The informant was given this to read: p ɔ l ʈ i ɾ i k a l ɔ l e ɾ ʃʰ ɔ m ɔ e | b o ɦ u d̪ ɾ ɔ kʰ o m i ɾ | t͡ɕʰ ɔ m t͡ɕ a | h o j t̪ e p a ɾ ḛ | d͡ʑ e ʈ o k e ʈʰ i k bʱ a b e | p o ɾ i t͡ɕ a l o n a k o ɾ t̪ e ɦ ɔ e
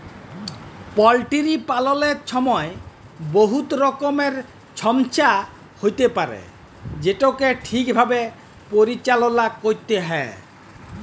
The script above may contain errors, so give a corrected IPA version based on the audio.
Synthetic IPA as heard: p ɔ l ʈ i ɾ i p a l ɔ l e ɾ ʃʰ ɔ m ɔ e | b o ɦ u t̪ ɾ ɔ k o m e ɾ | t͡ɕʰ ɔ m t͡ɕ a | h o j t̪ e p a ɾ ḛ | d͡ʑ e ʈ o k e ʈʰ i k bʱ a b e | p o ɾ i t͡ɕ a l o n a k o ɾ t̪ e ɦ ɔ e